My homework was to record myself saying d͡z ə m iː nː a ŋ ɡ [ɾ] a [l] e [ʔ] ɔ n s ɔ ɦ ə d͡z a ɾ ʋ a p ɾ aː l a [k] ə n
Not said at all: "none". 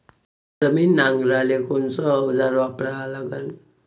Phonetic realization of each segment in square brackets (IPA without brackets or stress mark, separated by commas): ɾ, l, k, ɡ